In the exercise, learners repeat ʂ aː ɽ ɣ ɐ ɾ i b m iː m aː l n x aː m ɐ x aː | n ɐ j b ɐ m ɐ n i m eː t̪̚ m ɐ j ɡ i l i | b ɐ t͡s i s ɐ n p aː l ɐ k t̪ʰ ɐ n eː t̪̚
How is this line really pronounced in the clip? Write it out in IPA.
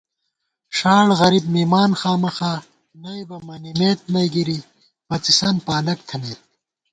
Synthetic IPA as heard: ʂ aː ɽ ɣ ɐ ɾ i b m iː m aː n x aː m ɐ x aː | n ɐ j b ɐ m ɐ n i m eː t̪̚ m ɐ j ɡ i ɾ i | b ɐ t͡s i s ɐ n p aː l ɐ k t̪ʰ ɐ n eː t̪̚